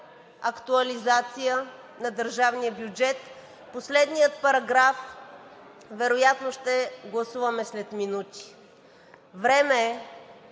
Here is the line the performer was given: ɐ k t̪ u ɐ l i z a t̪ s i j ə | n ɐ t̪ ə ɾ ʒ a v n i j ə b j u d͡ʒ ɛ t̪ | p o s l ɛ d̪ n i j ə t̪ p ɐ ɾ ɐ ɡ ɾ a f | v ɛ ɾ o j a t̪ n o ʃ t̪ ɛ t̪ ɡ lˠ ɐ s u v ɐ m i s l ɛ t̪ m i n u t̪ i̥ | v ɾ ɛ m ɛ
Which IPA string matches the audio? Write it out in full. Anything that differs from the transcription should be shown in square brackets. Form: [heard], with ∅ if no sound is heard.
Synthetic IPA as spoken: ɐ k t̪ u ɐ l i z a t̪ s i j ə | n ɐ [d̪] ə ɾ ʒ a v n i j ə b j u d͡ʒ ɛ t̪ | p o s l ɛ d̪ n i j ə t̪ p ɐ ɾ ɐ ɡ ɾ a f | v ɛ ɾ o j a t̪ n o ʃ t̪ ɛ [∅] ɡ lˠ ɐ s u v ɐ m [ɛ] s l ɛ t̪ m i n u t̪ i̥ | v ɾ ɛ m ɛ